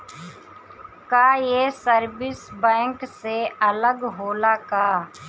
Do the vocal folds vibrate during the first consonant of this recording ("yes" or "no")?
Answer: no